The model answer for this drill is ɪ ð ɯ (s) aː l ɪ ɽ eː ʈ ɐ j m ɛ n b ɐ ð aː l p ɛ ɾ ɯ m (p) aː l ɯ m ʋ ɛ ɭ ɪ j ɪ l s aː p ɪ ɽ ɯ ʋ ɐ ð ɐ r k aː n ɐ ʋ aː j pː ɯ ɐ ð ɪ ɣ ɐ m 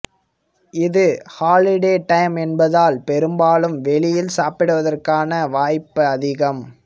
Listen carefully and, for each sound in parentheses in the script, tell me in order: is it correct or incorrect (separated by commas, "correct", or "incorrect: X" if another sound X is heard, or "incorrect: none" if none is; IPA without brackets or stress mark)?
incorrect: h, incorrect: b